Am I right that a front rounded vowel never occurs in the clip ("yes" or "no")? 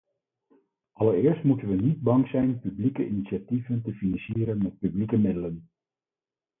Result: no